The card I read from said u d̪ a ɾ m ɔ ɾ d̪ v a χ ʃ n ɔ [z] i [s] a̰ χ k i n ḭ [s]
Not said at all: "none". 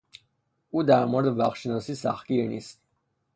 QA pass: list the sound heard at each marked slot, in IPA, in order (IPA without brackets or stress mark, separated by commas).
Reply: s, s, s